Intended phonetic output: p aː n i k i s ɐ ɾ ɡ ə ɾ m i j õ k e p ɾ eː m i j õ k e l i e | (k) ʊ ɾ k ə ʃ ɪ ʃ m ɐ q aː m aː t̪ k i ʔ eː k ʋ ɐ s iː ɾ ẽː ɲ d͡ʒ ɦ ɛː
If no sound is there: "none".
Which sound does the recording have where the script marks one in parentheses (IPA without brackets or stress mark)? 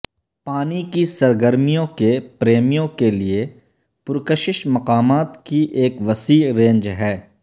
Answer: p